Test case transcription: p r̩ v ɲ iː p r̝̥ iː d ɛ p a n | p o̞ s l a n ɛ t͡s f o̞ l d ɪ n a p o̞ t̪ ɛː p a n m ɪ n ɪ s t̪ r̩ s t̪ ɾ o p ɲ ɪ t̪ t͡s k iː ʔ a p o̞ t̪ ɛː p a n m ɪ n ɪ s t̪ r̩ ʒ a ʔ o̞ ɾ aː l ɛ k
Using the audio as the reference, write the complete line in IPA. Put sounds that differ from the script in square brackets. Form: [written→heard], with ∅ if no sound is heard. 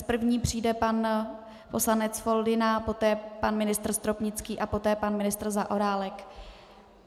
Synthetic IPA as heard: p r̩ v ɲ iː p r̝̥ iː d ɛ p a n | p o̞ s l a n ɛ t͡s f o̞ l d ɪ n a p o̞ t̪ ɛː p a n m ɪ n ɪ s t̪ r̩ s t̪ ɾ o p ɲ ɪ [t̪→∅] t͡s k iː ʔ a p o̞ t̪ ɛː p a n m ɪ n ɪ s t̪ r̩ [ʒ→z] a ʔ o̞ ɾ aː l ɛ k